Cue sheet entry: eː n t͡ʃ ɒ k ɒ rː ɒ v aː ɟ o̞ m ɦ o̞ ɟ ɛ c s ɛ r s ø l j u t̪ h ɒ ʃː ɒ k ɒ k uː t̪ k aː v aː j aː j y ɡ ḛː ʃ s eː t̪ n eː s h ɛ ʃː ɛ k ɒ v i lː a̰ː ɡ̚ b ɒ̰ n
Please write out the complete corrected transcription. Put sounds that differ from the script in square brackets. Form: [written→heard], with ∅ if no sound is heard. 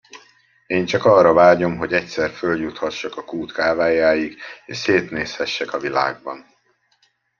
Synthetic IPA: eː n t͡ʃ ɒ k ɒ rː ɒ v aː ɟ o̞ m ɦ o̞ ɟ ɛ c s ɛ r [s→f] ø l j u t̪ h ɒ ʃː ɒ k ɒ k uː t̪ k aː v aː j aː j [y→i] ɡ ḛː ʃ s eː t̪ n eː s h ɛ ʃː ɛ k ɒ v i [lː→l] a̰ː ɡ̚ b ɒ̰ n